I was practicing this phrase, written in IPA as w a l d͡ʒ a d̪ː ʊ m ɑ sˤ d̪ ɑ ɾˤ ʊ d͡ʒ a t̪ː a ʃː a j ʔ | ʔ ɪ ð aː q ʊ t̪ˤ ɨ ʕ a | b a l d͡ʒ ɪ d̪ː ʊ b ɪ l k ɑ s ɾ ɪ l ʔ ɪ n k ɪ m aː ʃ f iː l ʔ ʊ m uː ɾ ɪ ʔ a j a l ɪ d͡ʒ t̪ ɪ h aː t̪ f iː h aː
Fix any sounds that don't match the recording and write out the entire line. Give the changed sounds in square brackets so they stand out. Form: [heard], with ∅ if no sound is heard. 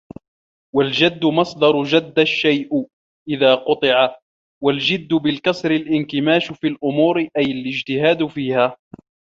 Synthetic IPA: w a l d͡ʒ a d̪ː ʊ m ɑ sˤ d̪ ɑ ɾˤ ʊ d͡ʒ a [d̪ː] a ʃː a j ʔ | ʔ ɪ ð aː q ʊ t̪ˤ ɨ ʕ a | [w] a l d͡ʒ ɪ d̪ː ʊ b ɪ l k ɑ s ɾ ɪ l ʔ ɪ n k ɪ m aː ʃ f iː l ʔ ʊ m uː ɾ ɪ ʔ a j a l ɪ d͡ʒ t̪ ɪ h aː [d̪] f iː h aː

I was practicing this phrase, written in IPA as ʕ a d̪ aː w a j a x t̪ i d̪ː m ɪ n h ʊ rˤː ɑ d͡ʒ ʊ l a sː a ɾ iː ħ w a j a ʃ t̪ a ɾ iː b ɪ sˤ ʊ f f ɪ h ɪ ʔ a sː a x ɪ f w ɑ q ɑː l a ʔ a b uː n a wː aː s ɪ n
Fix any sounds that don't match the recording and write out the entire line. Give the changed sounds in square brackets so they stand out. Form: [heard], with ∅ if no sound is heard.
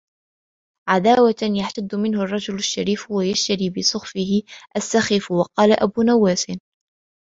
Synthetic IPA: ʕ a d̪ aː w a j a [ħ] t̪ [a] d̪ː m ɪ n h ʊ rˤː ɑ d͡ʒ ʊ l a [ʃː] a ɾ iː [f] w a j a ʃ t̪ a ɾ iː b ɪ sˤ ʊ [x] f ɪ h ɪ ʔ a sː a x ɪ f w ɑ q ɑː l a ʔ a b uː n a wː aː s ɪ n

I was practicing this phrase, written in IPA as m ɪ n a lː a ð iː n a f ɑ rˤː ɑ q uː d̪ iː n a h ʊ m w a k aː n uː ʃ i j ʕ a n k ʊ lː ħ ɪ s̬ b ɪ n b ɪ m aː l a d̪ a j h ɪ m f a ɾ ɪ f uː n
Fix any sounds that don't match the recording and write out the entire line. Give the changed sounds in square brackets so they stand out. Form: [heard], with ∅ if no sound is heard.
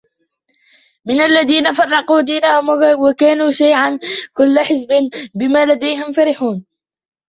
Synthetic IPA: m ɪ n a lː a ð iː n a f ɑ rˤː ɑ q uː d̪ iː n a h ʊ m w a k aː n uː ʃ [a] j ʕ a n k ʊ lː ħ ɪ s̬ b ɪ n b ɪ m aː l a d̪ a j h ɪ m f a ɾ ɪ [ħ] uː n

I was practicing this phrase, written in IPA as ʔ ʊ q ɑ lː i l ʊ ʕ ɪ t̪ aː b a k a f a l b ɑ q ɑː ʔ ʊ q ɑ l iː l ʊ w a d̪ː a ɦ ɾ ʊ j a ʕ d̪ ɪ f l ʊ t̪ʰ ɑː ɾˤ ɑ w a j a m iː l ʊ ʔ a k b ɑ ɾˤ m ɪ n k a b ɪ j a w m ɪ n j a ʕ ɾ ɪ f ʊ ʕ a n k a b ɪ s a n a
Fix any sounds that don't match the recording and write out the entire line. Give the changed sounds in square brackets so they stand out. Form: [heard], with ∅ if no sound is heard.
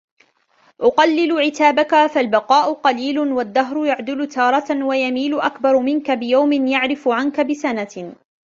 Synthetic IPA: ʔ ʊ q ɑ lː [ɪ] l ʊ ʕ ɪ t̪ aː b a k a f a l b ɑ q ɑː ʔ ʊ q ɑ l iː l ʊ w a d̪ː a ɦ ɾ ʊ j a ʕ d̪ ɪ [∅] l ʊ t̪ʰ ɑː ɾˤ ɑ w a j a m iː l ʊ ʔ a k b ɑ ɾˤ m ɪ n k a b ɪ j a w m ɪ n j a ʕ ɾ ɪ f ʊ ʕ a n k a b ɪ s a n a

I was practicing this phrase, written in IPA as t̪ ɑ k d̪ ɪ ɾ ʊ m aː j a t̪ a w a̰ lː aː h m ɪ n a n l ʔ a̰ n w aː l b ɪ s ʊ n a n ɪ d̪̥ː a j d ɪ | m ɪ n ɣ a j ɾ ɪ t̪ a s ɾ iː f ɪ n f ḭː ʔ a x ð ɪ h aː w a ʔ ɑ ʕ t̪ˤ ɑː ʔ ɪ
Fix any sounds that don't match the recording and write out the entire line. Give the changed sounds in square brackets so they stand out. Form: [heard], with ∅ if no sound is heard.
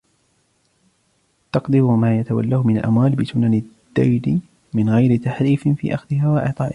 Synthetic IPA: t̪ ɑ [q] d̪ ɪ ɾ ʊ m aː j a t̪ a w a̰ lː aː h m ɪ n a [∅] l ʔ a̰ [m] w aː l b ɪ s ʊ n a n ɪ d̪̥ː a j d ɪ | m ɪ n ɣ a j ɾ ɪ t̪ a [ħ] ɾ iː f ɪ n f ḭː ʔ a x ð ɪ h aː w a ʔ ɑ ʕ t̪ˤ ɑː ʔ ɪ

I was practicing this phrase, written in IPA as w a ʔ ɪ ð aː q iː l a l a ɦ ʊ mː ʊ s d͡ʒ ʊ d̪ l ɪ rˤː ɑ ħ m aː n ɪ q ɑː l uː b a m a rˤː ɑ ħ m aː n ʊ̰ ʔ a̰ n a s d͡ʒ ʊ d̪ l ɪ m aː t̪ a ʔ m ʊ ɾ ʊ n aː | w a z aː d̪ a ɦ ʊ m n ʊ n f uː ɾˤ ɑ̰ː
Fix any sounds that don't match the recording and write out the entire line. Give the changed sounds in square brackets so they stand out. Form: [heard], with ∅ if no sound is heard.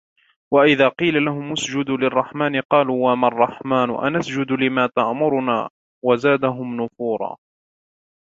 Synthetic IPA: w a ʔ ɪ ð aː q iː l a l a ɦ ʊ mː ʊ s d͡ʒ ʊ d̪ l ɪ rˤː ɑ ħ m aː n ɪ q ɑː l uː [w] a m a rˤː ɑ ħ m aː n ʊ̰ ʔ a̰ n a s d͡ʒ ʊ d̪ l ɪ m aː t̪ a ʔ m ʊ ɾ ʊ n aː | w a z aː d̪ a ɦ ʊ m n ʊ [∅] f uː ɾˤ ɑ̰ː

